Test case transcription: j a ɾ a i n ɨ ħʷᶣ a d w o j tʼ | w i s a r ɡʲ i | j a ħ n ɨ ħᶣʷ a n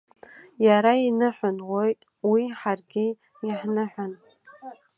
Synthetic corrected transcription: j a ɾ a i n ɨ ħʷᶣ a n w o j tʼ | w i ħ a r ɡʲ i | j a ħ n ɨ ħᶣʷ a n